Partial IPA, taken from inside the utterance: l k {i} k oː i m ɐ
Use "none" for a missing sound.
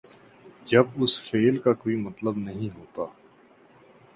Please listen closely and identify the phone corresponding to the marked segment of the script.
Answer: a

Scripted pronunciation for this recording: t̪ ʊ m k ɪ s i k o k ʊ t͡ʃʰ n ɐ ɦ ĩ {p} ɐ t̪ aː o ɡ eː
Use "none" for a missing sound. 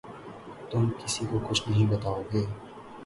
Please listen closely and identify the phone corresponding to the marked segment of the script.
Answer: b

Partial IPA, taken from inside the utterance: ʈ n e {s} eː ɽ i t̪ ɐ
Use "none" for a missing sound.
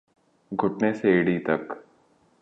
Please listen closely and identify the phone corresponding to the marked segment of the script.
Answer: s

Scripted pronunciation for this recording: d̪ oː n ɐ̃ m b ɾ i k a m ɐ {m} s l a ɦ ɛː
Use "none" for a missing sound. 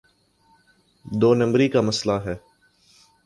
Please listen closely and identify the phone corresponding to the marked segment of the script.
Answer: none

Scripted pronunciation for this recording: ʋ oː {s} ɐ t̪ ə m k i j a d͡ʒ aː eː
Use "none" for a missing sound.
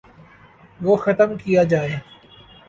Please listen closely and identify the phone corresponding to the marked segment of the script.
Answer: x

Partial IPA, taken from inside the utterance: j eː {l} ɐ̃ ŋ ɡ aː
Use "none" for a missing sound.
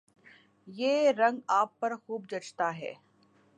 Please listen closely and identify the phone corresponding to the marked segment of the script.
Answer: ɾ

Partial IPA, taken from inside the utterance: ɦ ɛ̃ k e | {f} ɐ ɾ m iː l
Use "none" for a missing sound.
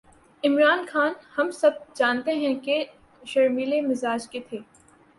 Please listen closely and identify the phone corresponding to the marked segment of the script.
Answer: ʃ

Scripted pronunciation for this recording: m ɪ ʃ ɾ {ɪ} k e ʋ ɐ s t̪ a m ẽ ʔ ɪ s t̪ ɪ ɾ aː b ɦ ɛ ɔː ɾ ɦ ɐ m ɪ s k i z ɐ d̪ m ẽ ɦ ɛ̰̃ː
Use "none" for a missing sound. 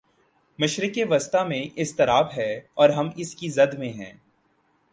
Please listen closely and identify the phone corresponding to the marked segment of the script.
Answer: ɪ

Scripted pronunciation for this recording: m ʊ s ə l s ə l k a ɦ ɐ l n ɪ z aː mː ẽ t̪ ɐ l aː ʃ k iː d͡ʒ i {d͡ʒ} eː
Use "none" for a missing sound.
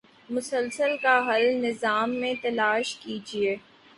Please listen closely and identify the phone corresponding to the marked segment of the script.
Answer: none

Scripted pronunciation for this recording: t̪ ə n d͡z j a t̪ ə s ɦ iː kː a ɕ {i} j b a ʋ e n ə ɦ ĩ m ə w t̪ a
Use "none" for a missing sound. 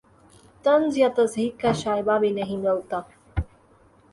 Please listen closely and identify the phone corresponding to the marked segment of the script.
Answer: a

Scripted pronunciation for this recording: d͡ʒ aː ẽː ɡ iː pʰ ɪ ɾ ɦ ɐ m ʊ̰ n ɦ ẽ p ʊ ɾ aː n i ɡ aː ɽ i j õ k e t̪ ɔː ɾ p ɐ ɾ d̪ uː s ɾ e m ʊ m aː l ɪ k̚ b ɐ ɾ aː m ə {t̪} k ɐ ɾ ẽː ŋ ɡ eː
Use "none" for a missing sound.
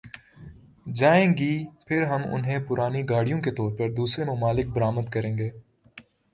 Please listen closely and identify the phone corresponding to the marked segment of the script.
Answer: d̪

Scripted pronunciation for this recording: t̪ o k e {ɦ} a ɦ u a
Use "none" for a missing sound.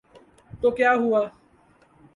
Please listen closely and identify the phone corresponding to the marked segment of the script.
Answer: none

